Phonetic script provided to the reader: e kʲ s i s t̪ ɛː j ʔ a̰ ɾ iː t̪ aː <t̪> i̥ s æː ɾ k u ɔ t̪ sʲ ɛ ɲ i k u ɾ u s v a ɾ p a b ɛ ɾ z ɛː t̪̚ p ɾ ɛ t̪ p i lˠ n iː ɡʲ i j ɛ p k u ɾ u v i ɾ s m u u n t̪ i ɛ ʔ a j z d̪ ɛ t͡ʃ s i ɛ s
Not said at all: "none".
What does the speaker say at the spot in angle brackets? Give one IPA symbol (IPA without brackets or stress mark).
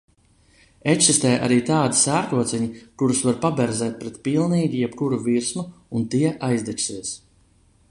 d̪